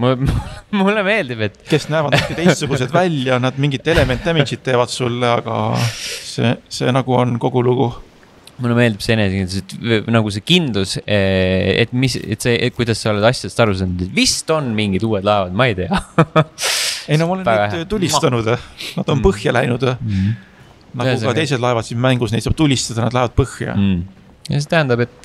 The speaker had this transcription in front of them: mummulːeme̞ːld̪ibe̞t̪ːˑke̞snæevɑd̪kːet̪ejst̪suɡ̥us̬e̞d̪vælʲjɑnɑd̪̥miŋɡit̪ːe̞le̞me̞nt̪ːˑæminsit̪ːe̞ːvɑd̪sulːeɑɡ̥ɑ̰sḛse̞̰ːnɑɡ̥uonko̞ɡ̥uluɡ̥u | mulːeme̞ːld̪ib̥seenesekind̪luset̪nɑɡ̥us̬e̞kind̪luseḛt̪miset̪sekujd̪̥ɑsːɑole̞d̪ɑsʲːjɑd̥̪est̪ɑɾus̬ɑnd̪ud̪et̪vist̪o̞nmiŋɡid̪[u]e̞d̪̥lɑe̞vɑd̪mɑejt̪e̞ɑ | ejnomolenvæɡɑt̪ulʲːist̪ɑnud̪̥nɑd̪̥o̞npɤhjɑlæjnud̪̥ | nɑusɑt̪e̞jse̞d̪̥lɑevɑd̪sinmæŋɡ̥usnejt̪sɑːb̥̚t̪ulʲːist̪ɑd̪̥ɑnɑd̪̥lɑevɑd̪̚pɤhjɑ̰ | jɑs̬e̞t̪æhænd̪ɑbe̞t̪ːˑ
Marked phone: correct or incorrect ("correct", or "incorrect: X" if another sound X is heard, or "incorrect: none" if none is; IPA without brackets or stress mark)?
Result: incorrect: uː